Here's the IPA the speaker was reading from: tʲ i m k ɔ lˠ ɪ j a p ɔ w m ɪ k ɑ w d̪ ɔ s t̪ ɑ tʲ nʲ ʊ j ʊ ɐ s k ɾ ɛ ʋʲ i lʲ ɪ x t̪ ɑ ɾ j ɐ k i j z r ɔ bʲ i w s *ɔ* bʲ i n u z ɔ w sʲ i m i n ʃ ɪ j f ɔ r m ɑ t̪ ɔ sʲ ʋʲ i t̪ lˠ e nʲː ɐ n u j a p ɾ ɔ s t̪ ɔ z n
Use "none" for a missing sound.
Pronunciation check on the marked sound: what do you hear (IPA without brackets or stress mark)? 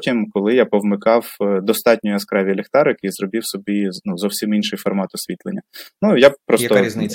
ɔ